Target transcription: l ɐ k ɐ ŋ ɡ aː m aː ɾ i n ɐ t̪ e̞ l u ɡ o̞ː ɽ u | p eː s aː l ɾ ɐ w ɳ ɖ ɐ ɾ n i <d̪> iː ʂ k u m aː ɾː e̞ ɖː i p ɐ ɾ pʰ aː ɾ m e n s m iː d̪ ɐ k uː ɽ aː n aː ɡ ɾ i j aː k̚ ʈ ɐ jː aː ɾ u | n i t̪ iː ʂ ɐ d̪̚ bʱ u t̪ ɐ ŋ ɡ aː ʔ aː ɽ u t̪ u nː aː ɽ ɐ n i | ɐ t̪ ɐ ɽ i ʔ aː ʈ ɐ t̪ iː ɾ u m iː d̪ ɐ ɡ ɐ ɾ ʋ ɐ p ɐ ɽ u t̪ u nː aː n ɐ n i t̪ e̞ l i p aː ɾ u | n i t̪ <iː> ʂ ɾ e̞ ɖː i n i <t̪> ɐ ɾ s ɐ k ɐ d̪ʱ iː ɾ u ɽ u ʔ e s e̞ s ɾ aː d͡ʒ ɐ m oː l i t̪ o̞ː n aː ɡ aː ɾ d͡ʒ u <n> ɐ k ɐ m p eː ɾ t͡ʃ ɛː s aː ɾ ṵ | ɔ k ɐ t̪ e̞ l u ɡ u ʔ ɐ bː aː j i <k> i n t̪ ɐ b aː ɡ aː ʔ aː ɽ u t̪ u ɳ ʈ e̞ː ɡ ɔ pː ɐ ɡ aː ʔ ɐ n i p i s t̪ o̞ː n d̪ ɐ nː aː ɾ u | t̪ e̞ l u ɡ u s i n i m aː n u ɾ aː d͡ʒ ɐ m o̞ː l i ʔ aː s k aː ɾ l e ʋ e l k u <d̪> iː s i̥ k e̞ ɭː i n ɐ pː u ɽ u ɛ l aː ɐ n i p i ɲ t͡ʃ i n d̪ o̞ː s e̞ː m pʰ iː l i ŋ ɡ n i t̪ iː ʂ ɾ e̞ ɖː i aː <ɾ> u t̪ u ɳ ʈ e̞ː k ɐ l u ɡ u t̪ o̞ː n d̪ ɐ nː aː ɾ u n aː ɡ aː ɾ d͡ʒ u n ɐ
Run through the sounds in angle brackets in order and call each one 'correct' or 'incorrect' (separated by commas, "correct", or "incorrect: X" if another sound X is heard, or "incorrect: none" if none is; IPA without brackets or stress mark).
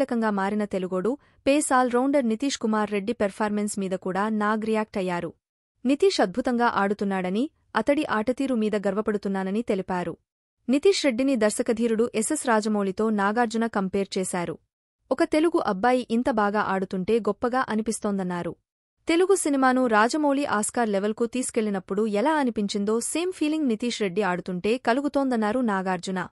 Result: incorrect: t̪, correct, incorrect: d̪, correct, incorrect: ʔ, incorrect: t̪, incorrect: ɽ